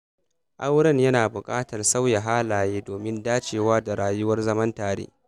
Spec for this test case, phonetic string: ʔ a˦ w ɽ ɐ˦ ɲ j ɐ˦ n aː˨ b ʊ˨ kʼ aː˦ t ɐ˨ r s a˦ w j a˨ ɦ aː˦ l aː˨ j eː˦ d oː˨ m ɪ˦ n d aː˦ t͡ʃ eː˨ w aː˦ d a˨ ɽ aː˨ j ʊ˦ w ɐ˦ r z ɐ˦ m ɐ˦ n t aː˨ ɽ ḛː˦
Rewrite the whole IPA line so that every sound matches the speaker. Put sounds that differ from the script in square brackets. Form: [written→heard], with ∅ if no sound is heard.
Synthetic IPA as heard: ʔ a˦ w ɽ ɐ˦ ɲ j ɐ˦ n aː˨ b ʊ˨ kʼ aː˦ t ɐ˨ r s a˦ w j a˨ ɦ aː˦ l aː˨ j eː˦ d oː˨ m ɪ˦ n d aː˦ t͡ʃ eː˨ w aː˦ d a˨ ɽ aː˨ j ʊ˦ w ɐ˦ r z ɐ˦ m ɐ˦ n t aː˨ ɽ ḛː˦